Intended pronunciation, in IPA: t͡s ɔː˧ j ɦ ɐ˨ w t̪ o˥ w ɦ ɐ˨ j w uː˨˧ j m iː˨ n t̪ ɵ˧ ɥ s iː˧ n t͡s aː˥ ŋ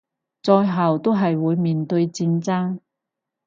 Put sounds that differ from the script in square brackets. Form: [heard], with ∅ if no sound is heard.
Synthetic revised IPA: t͡s ɔː˧ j ɦ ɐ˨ w t̪ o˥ w ɦ ɐ˨ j w uː˨˧ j m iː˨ n t̪ ɵ˧ ɥ [t͡s] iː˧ n t͡s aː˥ ŋ